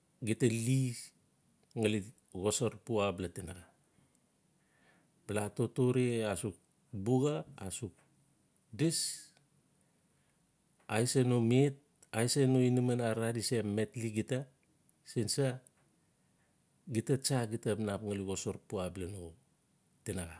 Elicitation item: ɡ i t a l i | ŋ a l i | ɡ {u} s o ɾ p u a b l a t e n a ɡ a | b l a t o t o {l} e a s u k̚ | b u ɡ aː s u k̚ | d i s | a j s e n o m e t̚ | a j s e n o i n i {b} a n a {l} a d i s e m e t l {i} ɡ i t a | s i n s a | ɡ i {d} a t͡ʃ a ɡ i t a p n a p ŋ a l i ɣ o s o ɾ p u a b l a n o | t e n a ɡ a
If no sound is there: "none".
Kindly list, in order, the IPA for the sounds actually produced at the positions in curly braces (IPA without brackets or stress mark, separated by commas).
o, ɾ, m, ɾ, i, t